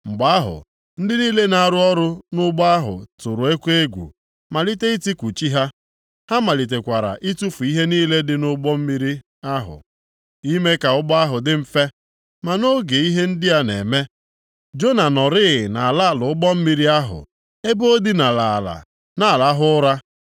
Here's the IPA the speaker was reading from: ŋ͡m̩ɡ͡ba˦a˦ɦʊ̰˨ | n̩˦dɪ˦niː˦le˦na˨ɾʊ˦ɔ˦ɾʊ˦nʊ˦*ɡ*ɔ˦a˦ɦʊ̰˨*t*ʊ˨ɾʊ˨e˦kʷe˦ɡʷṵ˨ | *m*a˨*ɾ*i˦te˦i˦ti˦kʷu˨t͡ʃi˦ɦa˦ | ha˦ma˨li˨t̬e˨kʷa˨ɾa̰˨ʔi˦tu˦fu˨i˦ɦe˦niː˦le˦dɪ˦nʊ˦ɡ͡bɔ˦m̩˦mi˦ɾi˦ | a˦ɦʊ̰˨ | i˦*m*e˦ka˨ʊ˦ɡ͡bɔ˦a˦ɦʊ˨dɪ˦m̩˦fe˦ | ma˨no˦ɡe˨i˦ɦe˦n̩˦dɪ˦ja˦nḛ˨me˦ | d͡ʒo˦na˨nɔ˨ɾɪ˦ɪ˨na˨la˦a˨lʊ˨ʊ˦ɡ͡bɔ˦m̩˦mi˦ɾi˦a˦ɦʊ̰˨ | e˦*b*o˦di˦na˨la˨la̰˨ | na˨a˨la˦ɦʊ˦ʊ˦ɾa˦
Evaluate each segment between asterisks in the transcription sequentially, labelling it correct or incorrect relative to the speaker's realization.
incorrect: ɡ͡b, correct, correct, incorrect: l, correct, correct

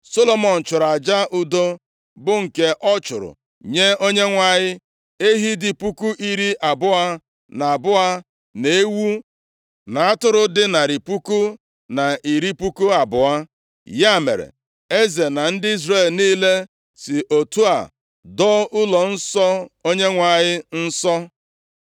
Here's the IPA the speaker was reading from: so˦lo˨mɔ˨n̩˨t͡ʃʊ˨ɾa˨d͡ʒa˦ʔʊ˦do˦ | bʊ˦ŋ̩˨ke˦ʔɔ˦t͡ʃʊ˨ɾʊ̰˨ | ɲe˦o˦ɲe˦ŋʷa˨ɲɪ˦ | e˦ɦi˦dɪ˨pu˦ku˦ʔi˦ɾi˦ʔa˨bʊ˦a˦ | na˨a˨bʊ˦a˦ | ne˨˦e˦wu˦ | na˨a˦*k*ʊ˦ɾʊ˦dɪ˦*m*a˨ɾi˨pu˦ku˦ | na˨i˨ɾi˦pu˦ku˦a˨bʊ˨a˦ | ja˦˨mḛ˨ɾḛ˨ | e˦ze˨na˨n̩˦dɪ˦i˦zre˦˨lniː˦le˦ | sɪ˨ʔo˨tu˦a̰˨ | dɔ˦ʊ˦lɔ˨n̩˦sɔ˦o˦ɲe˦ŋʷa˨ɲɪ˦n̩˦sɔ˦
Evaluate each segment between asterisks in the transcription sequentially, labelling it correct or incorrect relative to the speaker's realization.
incorrect: t, incorrect: n

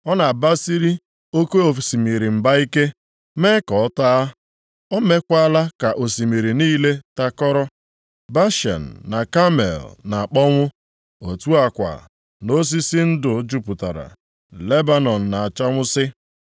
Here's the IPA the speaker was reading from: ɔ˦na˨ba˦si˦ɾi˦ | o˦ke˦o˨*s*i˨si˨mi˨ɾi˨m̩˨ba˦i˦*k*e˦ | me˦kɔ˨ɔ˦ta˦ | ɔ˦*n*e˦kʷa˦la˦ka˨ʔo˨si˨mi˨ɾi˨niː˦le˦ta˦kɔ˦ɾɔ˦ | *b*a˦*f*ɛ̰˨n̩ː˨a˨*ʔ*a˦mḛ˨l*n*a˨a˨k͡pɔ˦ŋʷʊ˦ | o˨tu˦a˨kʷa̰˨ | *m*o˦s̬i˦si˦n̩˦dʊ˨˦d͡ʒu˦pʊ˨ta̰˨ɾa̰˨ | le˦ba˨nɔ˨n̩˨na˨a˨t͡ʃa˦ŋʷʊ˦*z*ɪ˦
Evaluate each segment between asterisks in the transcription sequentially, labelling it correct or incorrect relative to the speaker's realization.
incorrect: f, correct, incorrect: m, correct, incorrect: ʃ, incorrect: k, correct, incorrect: n, incorrect: s

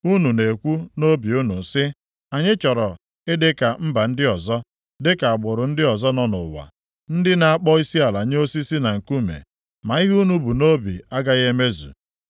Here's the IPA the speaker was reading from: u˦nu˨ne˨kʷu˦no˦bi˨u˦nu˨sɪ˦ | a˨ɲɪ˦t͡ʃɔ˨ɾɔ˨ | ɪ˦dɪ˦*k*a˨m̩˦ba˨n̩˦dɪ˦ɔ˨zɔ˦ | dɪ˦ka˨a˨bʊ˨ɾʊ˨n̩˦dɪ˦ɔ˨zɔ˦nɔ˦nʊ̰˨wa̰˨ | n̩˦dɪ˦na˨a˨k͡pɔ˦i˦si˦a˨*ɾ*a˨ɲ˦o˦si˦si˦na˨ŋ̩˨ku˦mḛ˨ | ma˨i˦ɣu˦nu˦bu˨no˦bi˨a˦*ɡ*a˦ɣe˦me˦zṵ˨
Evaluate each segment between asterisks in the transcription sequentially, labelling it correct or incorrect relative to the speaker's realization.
correct, incorrect: l, correct

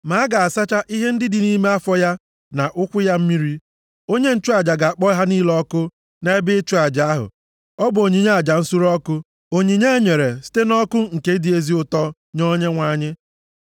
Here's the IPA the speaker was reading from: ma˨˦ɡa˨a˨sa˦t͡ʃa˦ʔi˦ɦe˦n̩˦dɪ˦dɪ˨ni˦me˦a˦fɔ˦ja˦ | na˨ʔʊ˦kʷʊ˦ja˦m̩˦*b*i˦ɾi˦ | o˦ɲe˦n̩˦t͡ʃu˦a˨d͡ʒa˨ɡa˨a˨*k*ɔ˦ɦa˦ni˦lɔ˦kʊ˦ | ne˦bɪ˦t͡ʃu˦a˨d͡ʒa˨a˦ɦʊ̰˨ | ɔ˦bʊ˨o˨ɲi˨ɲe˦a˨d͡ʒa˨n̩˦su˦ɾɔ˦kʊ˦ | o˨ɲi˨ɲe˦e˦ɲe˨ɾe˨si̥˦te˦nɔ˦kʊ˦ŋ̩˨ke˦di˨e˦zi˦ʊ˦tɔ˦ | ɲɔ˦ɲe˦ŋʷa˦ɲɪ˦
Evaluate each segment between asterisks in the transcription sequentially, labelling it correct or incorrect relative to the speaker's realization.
incorrect: m, incorrect: k͡p

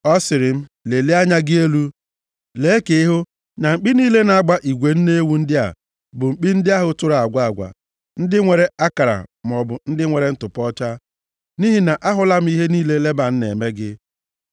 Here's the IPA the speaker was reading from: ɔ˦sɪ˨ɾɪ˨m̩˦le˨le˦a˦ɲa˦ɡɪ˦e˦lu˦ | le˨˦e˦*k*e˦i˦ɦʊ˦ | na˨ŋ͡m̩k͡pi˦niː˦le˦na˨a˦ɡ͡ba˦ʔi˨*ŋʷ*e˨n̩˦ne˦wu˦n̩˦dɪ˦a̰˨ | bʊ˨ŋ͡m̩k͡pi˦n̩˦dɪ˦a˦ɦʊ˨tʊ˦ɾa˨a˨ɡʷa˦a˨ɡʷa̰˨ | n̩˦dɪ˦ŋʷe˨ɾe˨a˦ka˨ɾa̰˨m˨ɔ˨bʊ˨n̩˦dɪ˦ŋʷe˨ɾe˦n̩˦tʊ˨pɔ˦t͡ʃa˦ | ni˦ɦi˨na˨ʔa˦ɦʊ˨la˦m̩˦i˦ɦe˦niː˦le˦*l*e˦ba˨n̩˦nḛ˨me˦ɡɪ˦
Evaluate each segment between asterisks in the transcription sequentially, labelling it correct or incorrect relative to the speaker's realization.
correct, incorrect: ɡʷ, correct

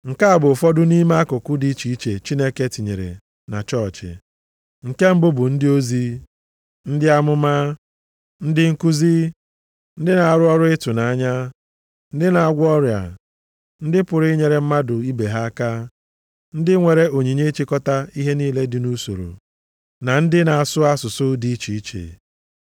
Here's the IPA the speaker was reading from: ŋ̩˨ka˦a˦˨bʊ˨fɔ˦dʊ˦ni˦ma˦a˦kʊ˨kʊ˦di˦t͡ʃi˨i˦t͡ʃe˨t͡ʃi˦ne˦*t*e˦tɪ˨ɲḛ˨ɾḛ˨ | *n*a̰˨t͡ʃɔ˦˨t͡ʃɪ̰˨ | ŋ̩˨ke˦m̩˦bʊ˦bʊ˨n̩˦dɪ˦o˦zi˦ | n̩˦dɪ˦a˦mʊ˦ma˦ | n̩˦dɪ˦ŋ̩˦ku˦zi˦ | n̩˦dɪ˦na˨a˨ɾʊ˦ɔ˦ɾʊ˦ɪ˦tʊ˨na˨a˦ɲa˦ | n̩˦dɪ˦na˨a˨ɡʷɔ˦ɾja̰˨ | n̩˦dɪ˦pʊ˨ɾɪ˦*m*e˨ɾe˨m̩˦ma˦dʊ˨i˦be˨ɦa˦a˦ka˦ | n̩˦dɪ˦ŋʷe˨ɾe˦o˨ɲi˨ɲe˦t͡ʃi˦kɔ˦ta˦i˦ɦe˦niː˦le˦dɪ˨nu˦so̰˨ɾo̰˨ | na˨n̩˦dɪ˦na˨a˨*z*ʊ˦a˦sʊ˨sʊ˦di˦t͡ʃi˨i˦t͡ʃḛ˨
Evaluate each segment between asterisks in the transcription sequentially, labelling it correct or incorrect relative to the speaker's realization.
incorrect: k, correct, incorrect: ɲ, incorrect: s

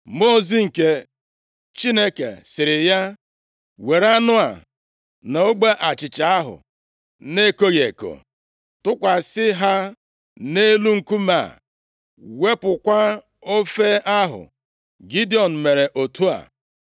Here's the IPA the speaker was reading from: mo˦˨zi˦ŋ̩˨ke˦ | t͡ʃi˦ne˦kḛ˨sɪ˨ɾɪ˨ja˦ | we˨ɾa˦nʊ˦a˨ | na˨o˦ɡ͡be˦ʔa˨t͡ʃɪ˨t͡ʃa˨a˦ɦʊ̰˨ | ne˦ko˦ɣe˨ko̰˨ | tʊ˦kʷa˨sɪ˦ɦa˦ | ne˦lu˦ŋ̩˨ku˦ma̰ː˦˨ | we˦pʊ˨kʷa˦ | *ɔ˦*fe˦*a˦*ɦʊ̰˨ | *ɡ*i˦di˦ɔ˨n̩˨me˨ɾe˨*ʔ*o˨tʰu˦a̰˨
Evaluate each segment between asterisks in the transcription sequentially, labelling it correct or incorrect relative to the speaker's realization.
incorrect: o˦, correct, correct, correct

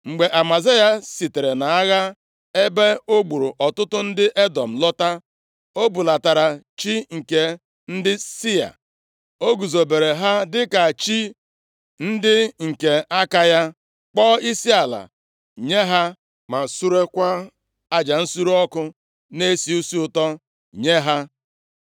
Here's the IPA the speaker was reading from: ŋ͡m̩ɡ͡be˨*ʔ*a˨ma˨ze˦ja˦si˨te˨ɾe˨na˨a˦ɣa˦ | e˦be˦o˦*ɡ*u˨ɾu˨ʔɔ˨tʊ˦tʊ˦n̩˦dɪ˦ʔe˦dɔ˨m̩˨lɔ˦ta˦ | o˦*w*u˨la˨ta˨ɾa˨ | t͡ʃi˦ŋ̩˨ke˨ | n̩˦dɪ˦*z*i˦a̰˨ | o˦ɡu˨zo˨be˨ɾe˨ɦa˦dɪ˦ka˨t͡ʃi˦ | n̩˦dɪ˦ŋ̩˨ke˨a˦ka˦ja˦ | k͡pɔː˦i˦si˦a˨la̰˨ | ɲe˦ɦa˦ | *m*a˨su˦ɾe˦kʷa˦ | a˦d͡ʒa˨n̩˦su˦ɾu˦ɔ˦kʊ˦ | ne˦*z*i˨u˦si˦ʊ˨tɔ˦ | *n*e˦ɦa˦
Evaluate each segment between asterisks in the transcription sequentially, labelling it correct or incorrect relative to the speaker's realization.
correct, incorrect: ɡ͡b, incorrect: b, incorrect: s, correct, incorrect: s, incorrect: ɲ

